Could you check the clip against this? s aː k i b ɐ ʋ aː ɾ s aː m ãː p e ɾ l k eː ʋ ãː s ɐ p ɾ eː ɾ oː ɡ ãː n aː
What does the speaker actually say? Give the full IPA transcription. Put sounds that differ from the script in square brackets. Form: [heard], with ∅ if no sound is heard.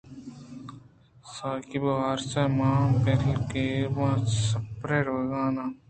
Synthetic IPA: s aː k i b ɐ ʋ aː ɾ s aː m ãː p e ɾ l k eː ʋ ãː s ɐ p ɾ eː ɾ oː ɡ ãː n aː